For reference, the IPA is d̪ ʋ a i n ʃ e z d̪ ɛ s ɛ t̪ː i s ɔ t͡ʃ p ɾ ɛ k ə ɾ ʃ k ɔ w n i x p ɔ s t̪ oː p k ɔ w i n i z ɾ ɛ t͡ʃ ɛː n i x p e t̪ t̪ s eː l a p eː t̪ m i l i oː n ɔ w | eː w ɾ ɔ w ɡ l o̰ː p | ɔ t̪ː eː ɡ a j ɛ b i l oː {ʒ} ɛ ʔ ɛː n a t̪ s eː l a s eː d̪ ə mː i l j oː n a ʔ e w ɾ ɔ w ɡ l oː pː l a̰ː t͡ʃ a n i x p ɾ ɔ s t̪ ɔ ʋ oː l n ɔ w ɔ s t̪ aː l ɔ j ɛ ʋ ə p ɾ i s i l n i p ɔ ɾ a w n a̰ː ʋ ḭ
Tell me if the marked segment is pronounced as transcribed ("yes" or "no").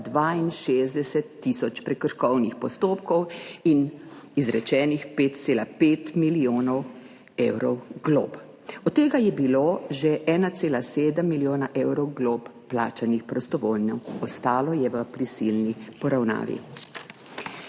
yes